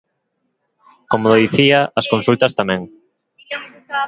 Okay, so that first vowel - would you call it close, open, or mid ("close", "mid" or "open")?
mid